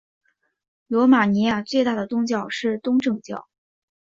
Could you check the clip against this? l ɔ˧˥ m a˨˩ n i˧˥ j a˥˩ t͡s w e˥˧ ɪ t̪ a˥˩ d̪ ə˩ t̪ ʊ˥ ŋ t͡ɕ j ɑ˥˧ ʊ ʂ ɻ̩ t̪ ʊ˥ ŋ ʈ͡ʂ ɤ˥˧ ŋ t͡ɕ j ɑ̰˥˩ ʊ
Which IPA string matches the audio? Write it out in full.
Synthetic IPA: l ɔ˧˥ m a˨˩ n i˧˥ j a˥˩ t͡s w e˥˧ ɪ t̪ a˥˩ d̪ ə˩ t̪ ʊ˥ ŋ t͡ɕ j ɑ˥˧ ʊ ʂ ɻ̩ t̪ ʊ˥ ŋ ʈ͡ʂ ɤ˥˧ ŋ t͡ɕ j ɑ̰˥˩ ʊ

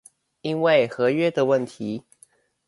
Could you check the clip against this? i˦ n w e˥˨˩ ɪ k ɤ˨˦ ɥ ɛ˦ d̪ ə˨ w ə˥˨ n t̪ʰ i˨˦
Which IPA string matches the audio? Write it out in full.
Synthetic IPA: i˦ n w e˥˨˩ ɪ x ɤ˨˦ ɥ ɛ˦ d̪ ə˨ w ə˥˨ n t̪ʰ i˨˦

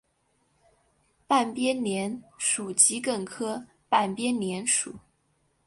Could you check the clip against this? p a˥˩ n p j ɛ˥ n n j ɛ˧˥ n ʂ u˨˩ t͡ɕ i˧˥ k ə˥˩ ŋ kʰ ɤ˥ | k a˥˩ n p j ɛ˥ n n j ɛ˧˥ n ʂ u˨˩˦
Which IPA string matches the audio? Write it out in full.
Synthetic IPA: p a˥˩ n p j ɛ˥ n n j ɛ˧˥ n ʂ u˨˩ t͡ɕ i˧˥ k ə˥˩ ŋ kʰ ɤ˥ | p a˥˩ n p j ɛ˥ n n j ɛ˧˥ n ʂ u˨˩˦

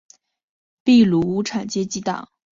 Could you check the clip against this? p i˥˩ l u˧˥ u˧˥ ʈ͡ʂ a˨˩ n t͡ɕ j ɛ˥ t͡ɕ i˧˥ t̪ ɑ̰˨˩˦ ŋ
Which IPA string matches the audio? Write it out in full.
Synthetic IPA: p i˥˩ l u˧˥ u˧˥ ʈ͡ʂʰ a˨˩ n t͡ɕ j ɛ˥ t͡ɕ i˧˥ t̪ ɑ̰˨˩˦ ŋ

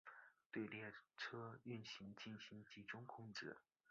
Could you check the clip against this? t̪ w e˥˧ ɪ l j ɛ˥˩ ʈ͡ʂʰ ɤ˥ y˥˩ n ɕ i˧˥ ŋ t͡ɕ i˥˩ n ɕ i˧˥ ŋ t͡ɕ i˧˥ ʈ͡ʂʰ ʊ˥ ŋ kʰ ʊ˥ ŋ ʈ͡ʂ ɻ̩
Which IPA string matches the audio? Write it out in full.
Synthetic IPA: t̪ w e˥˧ ɪ l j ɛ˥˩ ʈ͡ʂʰ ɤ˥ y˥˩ n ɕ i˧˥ ŋ t͡ɕ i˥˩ n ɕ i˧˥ ŋ t͡ɕ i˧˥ ʈ͡ʂ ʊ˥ ŋ kʰ ʊ˥ ŋ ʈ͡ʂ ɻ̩

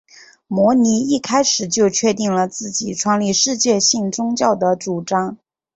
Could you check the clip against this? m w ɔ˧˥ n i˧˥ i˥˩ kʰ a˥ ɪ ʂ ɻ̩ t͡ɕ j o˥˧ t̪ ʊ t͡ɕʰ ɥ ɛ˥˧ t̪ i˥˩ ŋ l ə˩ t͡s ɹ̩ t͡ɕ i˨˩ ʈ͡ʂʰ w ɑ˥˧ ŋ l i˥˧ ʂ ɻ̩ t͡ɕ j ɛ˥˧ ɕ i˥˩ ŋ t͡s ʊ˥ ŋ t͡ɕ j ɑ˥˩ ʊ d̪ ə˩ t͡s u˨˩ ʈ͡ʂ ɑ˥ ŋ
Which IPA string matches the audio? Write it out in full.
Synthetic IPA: m w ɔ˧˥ n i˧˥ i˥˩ kʰ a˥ ɪ ʂ ɻ̩ t͡ɕ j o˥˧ ʊ t͡ɕʰ ɥ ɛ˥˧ t̪ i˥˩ ŋ l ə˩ t͡s ɹ̩ t͡ɕ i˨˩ ʈ͡ʂʰ w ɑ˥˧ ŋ l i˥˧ ʂ ɻ̩ t͡ɕ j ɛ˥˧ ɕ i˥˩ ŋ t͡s ʊ˥ ŋ t͡ɕ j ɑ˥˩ ʊ d̪ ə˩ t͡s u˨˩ ʈ͡ʂ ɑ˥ ŋ

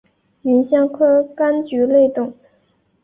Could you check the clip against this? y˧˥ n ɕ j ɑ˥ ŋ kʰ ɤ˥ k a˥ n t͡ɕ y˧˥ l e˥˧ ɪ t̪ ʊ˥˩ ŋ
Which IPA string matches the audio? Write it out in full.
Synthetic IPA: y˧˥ n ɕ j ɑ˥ ŋ kʰ ɤ˥ k a˥ n t͡ɕ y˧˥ l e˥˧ ɪ t̪ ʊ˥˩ ŋ

